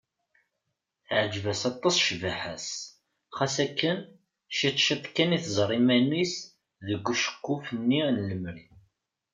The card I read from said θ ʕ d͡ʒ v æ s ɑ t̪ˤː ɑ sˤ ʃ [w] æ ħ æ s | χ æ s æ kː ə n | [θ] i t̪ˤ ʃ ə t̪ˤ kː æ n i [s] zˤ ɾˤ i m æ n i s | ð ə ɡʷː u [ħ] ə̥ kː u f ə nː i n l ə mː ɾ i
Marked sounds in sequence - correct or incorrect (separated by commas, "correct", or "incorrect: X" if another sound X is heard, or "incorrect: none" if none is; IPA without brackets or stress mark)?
incorrect: v, incorrect: ʃ, incorrect: θ, incorrect: ʃ